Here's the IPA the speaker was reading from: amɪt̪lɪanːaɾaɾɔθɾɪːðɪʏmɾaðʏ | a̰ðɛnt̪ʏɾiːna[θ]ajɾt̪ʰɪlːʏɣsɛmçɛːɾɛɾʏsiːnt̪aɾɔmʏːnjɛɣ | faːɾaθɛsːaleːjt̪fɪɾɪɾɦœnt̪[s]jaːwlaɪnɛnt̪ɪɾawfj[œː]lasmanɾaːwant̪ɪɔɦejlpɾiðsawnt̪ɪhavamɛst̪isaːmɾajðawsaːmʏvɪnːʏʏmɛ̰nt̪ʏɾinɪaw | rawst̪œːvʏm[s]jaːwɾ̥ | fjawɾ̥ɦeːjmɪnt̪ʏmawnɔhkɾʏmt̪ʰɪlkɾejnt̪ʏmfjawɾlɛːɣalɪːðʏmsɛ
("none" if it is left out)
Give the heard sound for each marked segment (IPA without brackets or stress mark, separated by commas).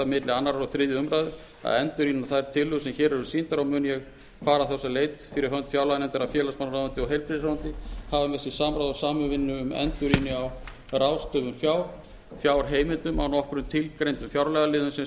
θ, f, ɛː, f